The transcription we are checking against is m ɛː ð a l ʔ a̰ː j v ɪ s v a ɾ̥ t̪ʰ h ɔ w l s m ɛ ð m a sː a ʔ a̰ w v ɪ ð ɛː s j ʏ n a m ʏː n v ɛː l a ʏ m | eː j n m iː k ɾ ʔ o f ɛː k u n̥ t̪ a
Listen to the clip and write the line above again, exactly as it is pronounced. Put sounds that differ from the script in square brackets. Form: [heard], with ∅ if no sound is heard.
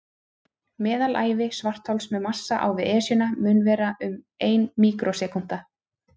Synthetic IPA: m ɛː ð a l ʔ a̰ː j v ɪ s v a [r̥] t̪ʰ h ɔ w l s m ɛ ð m a sː a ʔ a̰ w v ɪ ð ɛː s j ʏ n a m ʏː n v ɛː [ɾ] a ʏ m | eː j n m iː k ɾ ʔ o [s] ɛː k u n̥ t̪ a

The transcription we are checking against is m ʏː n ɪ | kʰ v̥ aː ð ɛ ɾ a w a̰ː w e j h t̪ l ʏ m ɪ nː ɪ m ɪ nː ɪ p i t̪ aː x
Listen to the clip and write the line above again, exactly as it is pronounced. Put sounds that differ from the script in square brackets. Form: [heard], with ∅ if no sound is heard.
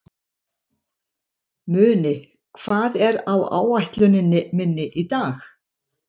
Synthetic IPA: m ʏː n ɪ | kʰ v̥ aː ð ɛ ɾ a w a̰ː w [a] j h t̪ l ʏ [n] ɪ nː ɪ m ɪ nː ɪ [ʔ] i t̪ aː x

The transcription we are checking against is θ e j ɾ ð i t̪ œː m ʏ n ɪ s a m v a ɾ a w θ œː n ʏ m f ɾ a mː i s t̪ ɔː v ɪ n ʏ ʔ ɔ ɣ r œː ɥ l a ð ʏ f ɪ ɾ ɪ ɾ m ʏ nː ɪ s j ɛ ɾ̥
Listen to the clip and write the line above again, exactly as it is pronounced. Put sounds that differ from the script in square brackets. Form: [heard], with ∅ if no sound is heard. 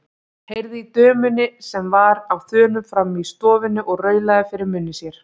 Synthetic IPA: [h] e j ɾ ð i t̪ œː m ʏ n ɪ s [ɛ] m v a ɾ a w θ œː n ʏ m f ɾ a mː i s t̪ ɔː v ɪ n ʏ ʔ ɔ ɣ r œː ɥ l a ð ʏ f ɪ ɾ ɪ ɾ m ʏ nː ɪ s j ɛ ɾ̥

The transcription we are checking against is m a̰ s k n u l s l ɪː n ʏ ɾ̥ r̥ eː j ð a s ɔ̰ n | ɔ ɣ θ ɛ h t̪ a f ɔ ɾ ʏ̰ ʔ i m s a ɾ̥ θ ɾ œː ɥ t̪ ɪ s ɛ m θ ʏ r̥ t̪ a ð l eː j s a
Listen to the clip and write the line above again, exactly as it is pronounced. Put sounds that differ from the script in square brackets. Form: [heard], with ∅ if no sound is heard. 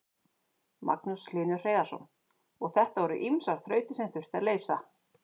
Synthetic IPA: m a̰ [∅] k n u [∅] s l ɪː n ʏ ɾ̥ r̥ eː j ð a s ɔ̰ n | ɔ ɣ θ ɛ h t̪ a [v] ɔ ɾ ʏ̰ ʔ i m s a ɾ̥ θ ɾ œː ɥ t̪ ɪ s ɛ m θ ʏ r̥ t̪ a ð l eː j s a

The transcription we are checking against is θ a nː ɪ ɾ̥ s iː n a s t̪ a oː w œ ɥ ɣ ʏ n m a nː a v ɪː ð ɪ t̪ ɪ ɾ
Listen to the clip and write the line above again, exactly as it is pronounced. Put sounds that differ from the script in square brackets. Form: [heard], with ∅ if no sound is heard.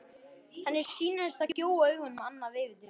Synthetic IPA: [h] a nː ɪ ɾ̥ s iː n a s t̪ a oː w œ ɥ ɣ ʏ n m a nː a v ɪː [v] ɪ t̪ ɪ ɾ

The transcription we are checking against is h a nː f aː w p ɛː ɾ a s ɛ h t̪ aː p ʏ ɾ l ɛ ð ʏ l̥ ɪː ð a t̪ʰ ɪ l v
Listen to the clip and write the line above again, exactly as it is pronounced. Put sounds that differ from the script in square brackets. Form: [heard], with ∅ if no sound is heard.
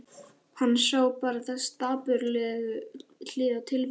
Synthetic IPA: h a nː [s] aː w p [aː] ɾ a [θ] ɛ [s] t̪ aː p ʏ ɾ l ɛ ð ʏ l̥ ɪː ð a t̪ʰ ɪ l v

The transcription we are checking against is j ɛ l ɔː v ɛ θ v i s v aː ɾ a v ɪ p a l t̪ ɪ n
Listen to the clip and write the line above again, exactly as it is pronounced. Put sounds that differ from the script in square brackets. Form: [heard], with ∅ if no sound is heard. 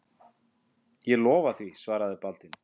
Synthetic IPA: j ɛ l ɔː v [a] θ v i s v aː ɾ a [ð] ɪ p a l t̪ ɪ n

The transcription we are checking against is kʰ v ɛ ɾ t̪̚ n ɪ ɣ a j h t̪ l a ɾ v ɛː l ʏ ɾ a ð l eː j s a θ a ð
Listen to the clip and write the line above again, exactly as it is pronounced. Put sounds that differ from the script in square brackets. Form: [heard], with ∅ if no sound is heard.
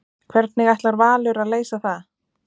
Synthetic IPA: kʰ v ɛ ɾ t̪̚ n ɪ ɣ a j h t̪ l a ɾ v [aː] l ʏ ɾ a ð l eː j s a θ a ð

